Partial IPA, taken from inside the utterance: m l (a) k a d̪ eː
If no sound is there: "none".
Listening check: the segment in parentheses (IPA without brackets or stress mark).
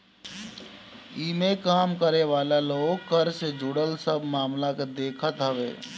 a